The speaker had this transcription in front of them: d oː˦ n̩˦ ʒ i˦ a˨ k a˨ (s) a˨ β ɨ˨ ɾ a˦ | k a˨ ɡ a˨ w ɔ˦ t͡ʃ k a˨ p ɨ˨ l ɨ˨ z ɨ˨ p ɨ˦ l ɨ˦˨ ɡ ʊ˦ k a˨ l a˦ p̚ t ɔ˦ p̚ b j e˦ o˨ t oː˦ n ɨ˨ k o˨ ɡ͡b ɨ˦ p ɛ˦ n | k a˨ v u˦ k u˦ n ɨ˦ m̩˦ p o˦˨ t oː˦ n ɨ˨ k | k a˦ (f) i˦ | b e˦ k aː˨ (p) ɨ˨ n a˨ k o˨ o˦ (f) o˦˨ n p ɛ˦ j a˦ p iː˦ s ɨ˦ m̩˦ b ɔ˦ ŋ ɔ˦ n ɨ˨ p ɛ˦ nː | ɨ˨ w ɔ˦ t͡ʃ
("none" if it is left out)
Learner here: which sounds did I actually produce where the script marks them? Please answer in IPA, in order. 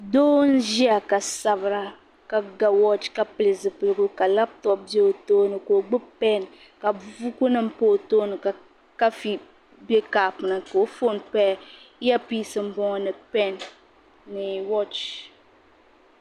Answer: s, f, p, f

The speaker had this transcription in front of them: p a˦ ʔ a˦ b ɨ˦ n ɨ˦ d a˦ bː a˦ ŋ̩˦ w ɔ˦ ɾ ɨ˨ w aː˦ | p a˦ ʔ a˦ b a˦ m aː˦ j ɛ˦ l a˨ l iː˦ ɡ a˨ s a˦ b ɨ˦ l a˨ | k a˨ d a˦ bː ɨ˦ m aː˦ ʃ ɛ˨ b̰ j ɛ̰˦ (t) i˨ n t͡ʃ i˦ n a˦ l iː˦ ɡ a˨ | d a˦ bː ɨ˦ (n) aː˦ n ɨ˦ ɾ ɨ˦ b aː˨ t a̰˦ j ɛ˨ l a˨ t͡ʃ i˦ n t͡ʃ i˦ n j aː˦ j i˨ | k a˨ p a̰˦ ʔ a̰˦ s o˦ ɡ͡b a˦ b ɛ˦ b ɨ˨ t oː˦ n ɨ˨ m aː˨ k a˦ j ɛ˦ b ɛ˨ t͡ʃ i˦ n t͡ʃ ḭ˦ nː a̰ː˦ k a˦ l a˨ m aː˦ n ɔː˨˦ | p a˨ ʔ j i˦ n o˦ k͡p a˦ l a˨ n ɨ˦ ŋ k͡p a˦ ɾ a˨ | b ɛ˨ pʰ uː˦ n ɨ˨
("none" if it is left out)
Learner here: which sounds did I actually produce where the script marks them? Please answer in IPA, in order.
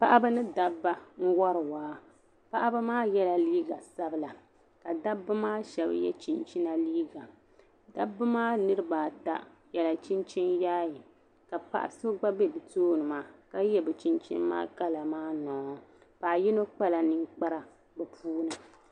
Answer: t͡ʃ, m

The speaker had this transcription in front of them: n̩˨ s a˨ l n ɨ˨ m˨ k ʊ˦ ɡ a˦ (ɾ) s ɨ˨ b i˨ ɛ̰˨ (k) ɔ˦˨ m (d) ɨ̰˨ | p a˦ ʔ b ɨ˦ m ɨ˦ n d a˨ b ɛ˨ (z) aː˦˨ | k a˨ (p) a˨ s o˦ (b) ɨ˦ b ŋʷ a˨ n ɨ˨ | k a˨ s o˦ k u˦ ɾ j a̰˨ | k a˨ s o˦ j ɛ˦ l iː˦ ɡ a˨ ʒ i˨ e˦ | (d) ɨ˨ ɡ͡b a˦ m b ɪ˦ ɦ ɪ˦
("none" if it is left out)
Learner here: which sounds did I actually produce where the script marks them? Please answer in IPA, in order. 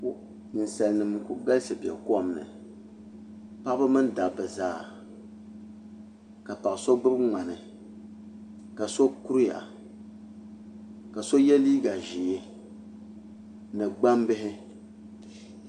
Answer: l, k, n, z, p, b, n

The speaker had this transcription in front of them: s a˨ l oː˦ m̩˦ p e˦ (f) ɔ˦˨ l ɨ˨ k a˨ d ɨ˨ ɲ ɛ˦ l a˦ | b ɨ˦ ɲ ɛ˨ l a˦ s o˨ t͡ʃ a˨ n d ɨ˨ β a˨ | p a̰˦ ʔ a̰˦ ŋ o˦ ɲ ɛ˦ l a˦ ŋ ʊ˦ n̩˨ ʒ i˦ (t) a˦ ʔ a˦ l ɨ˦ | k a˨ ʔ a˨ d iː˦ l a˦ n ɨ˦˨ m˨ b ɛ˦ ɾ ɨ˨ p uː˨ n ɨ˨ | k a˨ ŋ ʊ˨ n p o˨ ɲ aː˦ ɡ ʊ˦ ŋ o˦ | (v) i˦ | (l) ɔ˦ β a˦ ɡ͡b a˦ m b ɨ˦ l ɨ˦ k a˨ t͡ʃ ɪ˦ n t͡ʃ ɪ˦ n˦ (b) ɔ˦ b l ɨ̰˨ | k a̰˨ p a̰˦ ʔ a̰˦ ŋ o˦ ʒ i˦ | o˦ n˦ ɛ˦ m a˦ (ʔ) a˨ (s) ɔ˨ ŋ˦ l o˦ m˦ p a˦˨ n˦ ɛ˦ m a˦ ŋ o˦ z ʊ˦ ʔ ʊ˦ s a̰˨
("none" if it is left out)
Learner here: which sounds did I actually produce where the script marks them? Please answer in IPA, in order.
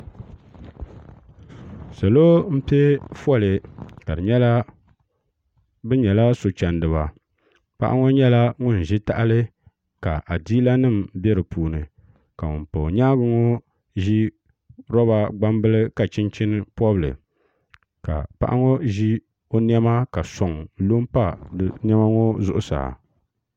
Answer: f, t, ʒ, ɾ, p, k, s

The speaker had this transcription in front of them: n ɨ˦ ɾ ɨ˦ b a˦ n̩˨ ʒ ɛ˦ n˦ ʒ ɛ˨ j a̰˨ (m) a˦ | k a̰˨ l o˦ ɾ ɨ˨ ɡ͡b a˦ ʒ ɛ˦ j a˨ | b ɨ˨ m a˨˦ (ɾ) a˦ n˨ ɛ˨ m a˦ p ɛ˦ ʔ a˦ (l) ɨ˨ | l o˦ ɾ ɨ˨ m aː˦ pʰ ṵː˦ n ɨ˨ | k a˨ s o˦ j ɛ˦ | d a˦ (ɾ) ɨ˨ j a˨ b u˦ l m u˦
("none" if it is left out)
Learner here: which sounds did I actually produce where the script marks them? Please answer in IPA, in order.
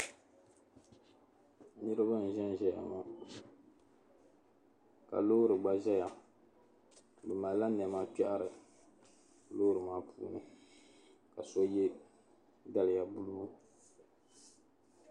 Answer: m, l, ɾ, l

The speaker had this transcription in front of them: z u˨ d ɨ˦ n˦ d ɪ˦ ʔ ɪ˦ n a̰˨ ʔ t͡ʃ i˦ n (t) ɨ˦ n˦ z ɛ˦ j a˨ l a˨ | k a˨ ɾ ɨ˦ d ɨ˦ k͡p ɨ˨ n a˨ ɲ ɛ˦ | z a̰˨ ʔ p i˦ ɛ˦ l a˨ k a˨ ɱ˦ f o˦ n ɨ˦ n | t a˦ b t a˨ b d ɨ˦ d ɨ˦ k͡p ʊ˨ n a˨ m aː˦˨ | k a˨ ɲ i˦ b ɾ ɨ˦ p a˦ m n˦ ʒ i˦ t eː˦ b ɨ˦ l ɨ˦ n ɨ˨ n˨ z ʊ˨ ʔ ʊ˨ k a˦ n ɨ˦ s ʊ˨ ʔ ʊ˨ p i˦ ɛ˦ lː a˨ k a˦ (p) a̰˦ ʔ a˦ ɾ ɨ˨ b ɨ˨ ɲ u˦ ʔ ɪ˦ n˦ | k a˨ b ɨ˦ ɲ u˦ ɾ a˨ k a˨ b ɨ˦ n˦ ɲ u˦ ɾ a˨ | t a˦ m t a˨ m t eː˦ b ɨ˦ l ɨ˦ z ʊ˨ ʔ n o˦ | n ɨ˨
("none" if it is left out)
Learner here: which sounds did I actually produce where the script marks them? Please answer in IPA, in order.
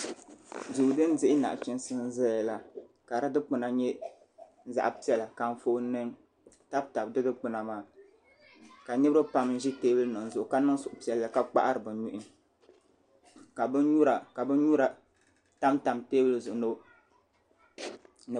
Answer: s, k͡p

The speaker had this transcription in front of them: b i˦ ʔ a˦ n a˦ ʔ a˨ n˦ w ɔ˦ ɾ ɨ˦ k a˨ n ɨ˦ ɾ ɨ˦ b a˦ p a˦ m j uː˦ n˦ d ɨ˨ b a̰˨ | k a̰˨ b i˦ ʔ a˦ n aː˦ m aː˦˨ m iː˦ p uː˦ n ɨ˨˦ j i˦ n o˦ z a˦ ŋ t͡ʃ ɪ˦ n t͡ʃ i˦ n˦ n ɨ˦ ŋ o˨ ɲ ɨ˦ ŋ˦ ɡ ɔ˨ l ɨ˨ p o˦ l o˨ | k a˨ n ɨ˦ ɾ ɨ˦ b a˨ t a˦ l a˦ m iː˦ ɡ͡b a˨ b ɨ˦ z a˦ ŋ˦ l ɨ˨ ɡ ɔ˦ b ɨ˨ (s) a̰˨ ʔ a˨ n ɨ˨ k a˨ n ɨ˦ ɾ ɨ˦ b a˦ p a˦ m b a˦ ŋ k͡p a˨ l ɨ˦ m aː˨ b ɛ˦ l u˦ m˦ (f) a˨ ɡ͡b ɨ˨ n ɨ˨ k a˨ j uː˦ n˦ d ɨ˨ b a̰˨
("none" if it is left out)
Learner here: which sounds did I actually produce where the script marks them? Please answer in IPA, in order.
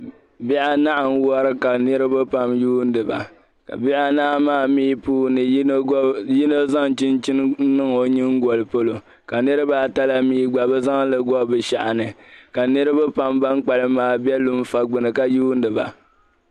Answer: ʃ, f

